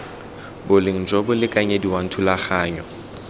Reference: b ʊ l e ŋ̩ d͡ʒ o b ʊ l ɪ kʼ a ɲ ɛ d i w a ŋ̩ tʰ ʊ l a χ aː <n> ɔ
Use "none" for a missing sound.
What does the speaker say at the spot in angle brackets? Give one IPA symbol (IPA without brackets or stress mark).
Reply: ɲ